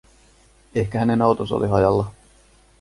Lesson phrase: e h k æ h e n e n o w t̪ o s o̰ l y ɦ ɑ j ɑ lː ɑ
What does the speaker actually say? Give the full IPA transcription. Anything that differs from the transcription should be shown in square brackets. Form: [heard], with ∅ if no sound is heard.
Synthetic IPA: e h k æ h [æ] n e n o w t̪ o s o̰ l [i] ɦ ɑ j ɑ lː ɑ